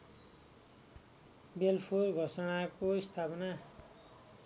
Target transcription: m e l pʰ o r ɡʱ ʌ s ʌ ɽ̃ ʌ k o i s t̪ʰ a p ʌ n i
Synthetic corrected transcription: b e l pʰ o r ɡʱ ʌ s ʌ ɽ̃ a k o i s t̪ʰ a p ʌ n a